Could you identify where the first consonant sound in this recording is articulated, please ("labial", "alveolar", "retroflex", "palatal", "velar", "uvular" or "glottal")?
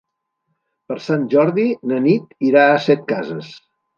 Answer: labial